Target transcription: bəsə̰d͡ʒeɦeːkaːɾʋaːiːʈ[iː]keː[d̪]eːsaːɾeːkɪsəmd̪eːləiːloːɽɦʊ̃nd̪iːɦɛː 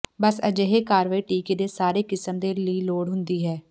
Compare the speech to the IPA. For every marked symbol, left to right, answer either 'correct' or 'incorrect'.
correct, correct

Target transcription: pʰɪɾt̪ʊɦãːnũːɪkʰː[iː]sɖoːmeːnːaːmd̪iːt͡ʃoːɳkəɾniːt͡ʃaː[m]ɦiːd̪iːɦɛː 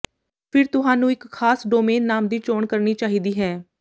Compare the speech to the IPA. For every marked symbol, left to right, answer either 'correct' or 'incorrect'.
incorrect: aː, incorrect: none

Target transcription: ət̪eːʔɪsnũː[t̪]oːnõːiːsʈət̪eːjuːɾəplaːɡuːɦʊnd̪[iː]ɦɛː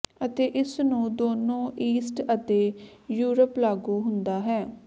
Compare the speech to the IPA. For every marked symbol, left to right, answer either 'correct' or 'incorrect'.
incorrect: d̪, incorrect: aː

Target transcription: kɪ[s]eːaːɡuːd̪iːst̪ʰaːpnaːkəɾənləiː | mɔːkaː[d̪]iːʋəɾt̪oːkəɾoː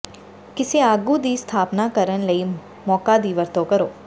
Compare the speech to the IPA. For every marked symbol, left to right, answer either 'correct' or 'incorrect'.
correct, correct

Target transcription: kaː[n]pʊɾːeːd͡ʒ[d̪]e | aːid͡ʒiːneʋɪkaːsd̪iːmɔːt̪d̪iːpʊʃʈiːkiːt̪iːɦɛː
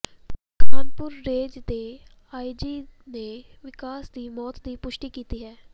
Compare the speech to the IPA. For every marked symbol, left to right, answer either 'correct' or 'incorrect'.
correct, correct

